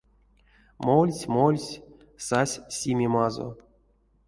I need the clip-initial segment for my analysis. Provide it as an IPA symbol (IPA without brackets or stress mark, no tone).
m